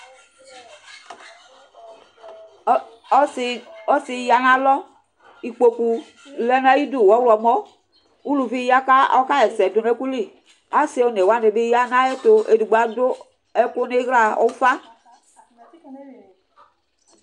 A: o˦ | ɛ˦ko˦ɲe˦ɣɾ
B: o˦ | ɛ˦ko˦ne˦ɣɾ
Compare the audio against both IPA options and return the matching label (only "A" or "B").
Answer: B